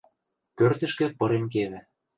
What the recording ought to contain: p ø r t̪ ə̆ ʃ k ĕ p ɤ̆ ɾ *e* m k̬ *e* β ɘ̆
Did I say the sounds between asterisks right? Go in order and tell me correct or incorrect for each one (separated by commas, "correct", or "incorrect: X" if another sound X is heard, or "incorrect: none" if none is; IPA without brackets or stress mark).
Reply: correct, correct